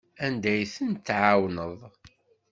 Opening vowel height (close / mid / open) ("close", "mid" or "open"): open